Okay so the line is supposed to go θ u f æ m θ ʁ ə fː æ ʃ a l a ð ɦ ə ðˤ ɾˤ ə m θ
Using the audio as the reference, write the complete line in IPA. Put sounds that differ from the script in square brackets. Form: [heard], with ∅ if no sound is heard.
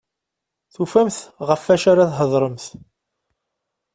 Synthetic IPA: θ u f æ m θ ʁ ə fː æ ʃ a [ɾ] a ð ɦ ə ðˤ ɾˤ ə m θ